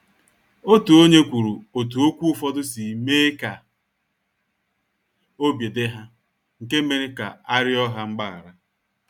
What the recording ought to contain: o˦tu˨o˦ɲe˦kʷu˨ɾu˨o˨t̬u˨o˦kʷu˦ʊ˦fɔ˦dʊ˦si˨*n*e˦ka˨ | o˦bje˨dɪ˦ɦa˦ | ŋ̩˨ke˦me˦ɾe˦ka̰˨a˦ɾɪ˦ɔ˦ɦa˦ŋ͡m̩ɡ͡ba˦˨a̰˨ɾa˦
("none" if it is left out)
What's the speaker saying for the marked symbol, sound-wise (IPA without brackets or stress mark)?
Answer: m